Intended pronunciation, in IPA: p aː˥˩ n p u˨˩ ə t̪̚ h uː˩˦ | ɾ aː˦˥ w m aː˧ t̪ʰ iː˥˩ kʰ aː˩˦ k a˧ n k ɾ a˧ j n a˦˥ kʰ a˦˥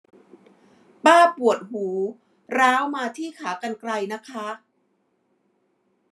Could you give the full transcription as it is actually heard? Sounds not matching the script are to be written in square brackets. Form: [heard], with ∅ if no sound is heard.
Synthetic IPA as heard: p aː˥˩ [∅] p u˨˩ ə t̪̚ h uː˩˦ | ɾ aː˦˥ w m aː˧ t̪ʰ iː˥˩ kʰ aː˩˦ k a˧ n k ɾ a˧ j n a˦˥ kʰ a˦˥

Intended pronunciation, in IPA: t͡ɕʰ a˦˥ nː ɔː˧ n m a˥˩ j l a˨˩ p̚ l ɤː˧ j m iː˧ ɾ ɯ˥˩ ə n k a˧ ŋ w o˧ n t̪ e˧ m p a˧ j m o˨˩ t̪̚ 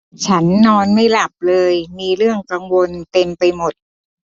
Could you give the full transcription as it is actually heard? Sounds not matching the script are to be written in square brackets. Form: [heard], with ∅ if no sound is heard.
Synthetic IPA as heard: t͡ɕʰ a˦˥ nː ɔː˧ n m a˥˩ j l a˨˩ p̚ l ɤː˧ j m iː˧ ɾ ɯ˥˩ ə [ŋ] k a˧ ŋ w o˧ n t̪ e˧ m p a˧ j m o˨˩ t̪̚

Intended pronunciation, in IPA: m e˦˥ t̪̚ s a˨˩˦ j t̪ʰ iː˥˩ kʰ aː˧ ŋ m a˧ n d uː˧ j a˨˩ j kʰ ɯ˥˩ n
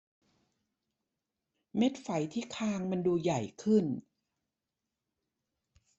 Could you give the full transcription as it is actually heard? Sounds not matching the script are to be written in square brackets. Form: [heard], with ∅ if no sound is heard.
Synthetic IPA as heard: m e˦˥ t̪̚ [f] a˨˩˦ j t̪ʰ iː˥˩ kʰ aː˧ ŋ m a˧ n d uː˧ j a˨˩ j kʰ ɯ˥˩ n

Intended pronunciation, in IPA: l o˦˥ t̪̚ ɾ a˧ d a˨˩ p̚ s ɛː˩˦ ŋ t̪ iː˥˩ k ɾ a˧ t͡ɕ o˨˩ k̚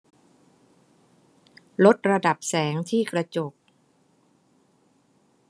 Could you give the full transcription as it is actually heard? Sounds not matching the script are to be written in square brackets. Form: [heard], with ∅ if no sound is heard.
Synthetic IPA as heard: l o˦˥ t̪̚ ɾ a˧ d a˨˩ p̚ s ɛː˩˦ ŋ [t̪ʰ] iː˥˩ k ɾ a˧ t͡ɕ o˨˩ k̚

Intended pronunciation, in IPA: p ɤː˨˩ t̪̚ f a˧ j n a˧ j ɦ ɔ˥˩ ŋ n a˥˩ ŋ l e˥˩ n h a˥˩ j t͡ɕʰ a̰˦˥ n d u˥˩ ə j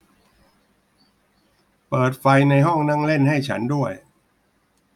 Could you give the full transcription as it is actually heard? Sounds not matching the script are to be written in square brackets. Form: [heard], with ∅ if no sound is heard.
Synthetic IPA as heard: p ɤː˨˩ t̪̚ f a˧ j n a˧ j ɦ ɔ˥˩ ŋ n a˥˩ ŋ l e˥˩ n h a˥˩ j t͡ɕʰ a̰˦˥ n d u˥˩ ə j

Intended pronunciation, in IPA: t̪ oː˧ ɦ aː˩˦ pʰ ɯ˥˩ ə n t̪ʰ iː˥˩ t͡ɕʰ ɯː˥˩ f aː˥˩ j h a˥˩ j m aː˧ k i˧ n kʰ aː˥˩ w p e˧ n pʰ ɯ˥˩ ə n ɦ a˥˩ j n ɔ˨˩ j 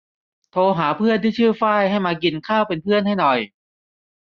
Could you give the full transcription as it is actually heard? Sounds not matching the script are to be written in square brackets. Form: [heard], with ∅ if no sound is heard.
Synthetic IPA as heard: [t̪ʰ] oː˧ ɦ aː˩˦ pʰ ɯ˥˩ ə n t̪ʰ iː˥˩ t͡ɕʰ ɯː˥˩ f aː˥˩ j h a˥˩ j m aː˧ k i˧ n kʰ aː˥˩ w p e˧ n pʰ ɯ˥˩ ə n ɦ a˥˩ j n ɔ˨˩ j

